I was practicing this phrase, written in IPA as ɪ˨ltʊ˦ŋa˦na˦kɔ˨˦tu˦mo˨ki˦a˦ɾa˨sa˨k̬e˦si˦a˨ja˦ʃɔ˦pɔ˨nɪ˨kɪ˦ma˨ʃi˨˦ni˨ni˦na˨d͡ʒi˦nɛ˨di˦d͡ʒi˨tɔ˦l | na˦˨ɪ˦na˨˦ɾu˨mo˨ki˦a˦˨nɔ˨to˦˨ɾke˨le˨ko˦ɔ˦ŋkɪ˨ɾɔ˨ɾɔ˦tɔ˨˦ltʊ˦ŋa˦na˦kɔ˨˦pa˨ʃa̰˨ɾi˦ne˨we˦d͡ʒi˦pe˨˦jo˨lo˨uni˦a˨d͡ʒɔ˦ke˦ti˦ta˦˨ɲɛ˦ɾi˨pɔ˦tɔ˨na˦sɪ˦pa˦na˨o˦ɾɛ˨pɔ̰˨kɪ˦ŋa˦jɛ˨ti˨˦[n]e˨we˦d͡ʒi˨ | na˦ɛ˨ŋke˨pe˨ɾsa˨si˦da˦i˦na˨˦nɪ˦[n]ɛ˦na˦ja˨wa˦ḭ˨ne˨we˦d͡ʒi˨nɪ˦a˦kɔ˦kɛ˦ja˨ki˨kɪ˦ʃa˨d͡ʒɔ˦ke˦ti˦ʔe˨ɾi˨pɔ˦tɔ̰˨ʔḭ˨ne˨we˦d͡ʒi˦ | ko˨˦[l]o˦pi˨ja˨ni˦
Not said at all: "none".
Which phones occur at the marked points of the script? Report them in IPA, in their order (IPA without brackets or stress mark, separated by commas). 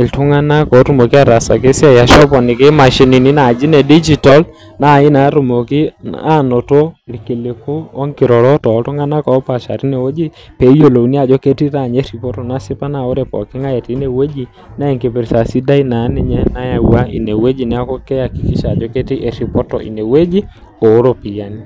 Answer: n, ɲ, ɾ